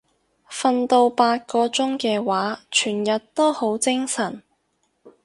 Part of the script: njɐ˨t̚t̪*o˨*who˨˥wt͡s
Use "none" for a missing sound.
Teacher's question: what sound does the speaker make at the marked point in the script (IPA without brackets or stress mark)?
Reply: o˥